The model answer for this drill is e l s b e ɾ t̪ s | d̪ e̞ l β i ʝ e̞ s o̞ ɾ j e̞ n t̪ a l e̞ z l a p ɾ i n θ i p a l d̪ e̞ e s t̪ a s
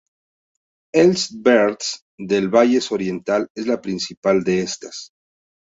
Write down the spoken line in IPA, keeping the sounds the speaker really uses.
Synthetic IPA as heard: e l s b e ɾ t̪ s | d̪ e̞ l β a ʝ e̞ s o̞ ɾ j e̞ n t̪ a l e̞ z l a p ɾ i n s i p a l d̪ e̞ e s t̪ a s

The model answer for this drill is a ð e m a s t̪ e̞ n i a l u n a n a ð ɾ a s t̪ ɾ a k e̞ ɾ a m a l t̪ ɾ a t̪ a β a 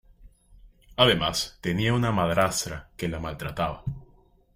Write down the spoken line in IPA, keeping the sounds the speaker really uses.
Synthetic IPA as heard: a ð e m a s t̪ e̞ n i a u n a m a ð ɾ a s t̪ ɾ a k e̞ l a m a l t̪ ɾ a t̪ a β a

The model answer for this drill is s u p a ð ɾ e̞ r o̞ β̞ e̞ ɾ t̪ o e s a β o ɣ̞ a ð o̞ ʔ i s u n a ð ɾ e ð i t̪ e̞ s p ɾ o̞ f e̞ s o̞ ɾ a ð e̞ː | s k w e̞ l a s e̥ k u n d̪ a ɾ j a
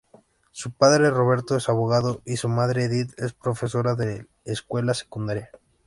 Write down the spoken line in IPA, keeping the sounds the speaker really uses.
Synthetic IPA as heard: s u p a ð ɾ e̞ r o̞ β̞ e̞ ɾ t̪ o e s a β o ɣ̞ a ð o̞ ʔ i s u m a ð ɾ e ð i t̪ e̞ s p ɾ o̞ f e̞ s o̞ ɾ a ð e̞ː | s k w e̞ l a s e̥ k u n d̪ a ɾ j a

